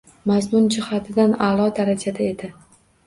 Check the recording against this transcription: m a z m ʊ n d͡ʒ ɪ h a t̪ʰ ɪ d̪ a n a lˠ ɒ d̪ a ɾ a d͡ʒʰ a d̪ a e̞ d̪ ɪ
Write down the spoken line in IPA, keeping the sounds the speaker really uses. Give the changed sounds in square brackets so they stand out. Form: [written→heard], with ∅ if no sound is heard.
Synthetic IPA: m a z m ʊ n d͡ʒ ɪ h a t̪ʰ ɪ d̪ a n a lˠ ɒ d̪ a ɾ a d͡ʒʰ a d̪ a e̞ d̪ ɪ